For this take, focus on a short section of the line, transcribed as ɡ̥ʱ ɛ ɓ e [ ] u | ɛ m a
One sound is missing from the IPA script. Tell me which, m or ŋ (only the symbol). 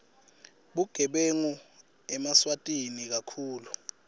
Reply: ŋ